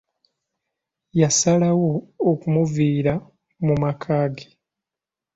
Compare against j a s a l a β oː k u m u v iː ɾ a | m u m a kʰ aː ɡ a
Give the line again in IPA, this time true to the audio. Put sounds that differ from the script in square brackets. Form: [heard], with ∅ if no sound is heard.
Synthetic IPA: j a s a l a [w] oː k u m u v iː ɾ a | m u m a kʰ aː ɡ [e]